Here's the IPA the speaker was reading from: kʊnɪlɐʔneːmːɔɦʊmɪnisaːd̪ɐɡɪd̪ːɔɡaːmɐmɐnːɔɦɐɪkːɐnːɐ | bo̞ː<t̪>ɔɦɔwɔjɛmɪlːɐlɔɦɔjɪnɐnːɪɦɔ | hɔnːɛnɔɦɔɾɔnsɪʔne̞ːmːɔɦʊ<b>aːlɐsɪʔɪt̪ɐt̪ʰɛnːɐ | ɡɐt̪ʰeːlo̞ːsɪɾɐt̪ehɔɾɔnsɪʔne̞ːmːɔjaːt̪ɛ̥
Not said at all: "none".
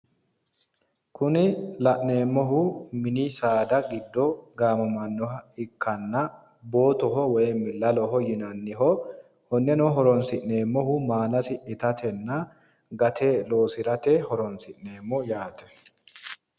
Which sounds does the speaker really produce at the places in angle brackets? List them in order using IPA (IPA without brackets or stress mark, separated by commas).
t̪, m